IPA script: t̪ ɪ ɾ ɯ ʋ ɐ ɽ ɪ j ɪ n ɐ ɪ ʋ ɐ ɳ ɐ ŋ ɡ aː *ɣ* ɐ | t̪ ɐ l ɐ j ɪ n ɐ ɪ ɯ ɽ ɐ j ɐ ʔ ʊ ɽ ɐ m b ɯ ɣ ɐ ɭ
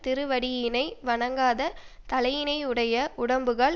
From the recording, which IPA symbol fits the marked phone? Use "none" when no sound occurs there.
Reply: ð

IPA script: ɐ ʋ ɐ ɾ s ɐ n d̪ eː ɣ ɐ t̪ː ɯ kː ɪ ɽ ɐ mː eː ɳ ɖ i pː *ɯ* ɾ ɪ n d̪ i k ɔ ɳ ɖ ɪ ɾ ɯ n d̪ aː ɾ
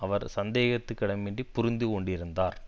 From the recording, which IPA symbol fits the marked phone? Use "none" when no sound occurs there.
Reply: ʊ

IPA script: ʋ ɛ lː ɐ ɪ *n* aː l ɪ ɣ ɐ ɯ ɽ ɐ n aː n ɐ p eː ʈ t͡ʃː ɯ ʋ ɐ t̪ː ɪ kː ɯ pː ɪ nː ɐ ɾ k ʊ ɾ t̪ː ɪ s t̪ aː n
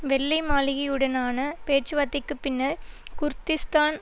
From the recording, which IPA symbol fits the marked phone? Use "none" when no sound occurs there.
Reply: m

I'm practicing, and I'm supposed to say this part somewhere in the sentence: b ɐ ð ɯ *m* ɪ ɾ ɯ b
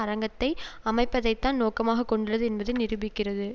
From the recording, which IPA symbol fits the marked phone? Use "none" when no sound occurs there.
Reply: n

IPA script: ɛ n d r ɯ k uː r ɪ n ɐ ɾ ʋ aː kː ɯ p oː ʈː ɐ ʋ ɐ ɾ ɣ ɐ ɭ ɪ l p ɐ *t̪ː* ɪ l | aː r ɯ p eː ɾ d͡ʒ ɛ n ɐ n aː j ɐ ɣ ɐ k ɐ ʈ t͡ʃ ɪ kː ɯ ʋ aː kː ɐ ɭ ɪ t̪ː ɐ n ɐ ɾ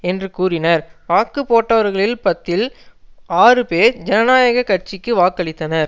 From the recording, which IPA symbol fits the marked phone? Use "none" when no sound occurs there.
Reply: t̪ː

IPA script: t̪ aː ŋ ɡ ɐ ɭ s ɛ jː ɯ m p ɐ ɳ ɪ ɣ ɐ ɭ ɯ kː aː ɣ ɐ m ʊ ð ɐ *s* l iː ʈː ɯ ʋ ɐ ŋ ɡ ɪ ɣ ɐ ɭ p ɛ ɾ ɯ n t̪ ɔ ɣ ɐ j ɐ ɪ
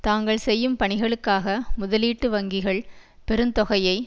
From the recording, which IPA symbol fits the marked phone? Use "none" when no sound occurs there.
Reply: none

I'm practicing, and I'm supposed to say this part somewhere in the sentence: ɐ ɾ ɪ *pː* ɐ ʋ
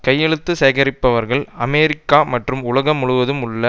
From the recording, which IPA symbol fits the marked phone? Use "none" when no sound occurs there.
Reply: pː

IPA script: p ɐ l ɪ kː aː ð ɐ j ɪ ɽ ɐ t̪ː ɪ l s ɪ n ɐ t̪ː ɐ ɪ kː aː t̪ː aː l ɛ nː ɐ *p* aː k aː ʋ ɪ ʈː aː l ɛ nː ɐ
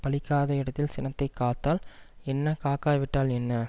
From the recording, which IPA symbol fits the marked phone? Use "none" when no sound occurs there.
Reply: k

